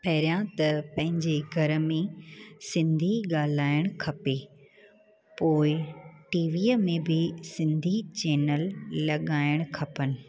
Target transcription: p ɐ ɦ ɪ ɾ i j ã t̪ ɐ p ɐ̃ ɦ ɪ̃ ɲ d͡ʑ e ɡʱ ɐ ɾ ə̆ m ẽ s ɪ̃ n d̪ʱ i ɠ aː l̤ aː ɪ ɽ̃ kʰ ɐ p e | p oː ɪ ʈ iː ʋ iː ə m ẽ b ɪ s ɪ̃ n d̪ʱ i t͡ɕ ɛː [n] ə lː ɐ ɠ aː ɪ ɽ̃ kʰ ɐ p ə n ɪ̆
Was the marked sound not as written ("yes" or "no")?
no